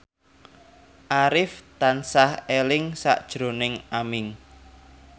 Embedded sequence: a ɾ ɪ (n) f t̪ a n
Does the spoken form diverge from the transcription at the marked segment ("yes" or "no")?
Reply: yes